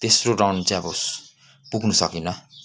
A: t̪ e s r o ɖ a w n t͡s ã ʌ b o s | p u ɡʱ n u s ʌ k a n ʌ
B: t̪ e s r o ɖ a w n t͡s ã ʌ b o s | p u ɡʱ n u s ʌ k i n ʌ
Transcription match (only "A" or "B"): B